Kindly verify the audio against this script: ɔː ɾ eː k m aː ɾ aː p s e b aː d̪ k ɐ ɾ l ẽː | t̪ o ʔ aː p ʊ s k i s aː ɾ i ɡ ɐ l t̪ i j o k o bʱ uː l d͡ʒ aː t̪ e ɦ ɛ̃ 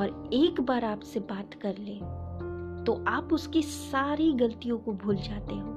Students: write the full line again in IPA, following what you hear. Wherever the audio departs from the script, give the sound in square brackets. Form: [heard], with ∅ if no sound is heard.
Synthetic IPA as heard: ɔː ɾ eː k [b] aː ɾ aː p s e b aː [t̪] k ɐ ɾ l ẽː | t̪ o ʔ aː p ʊ s k i s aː ɾ i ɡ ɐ l t̪ i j [õ] k o bʱ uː l d͡ʒ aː t̪ e ɦ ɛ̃